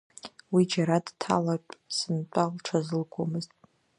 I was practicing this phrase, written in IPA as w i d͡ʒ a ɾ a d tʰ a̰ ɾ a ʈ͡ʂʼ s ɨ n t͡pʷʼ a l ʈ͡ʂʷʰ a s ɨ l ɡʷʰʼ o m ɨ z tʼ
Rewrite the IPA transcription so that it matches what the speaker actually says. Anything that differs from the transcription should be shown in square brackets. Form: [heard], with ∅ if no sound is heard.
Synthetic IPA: w i d͡ʒ a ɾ a d tʰ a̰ [l] a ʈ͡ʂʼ s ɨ n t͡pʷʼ a l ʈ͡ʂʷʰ a [z] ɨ l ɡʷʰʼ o m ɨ z tʼ

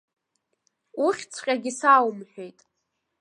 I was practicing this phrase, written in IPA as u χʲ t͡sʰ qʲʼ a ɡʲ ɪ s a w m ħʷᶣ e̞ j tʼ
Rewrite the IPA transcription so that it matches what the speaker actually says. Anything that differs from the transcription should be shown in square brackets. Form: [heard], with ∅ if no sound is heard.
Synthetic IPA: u χʲ t͡sʰ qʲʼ a ɡʲ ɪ s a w m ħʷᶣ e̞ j tʼ

